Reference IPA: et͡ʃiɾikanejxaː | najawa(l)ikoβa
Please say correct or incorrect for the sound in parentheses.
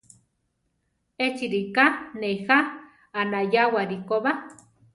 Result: incorrect